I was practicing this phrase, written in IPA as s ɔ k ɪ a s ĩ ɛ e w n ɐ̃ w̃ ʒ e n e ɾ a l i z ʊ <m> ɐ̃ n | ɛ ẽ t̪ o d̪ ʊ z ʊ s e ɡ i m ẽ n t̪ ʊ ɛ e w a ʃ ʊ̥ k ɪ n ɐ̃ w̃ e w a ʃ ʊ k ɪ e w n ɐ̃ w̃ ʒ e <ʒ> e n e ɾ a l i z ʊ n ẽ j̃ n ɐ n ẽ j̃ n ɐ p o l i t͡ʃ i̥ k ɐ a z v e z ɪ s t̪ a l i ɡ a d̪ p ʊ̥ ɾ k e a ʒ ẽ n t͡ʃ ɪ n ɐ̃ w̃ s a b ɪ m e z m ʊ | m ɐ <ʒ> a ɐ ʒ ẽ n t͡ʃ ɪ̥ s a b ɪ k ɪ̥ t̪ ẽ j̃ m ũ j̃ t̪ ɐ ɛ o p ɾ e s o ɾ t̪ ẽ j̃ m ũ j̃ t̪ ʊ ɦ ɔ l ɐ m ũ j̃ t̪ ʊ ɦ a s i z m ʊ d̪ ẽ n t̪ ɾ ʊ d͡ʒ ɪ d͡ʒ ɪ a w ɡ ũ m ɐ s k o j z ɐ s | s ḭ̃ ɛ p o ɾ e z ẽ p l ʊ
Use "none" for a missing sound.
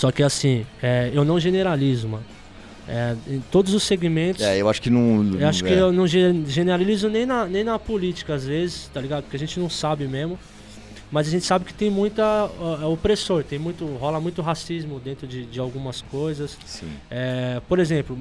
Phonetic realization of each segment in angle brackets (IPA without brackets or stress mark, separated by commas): m, ʒ, z